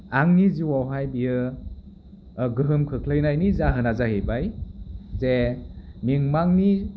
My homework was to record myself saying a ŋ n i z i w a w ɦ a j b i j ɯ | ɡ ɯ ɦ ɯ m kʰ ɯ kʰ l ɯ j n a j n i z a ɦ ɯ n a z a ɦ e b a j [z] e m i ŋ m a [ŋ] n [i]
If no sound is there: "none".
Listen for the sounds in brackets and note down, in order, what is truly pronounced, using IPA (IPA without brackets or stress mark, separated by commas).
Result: z, ŋ, i